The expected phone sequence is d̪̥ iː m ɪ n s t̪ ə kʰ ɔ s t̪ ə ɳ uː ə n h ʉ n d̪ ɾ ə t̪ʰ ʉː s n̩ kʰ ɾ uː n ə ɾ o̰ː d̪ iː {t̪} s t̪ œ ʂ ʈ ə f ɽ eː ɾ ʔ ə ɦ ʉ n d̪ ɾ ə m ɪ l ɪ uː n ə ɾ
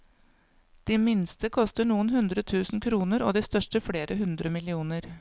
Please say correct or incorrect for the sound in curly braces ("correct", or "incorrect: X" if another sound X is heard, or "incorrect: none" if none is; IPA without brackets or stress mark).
incorrect: none